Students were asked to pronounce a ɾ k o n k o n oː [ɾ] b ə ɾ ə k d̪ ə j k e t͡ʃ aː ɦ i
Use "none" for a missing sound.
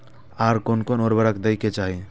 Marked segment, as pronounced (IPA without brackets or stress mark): ɾ